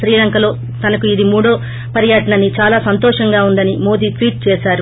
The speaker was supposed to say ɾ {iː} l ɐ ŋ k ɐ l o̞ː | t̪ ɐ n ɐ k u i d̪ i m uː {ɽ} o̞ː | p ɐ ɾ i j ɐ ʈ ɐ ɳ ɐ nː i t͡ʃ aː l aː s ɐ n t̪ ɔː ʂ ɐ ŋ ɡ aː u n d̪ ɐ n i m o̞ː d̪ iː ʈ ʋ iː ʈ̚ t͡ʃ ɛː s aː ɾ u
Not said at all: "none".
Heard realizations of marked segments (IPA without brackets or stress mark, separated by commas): iː, ɽ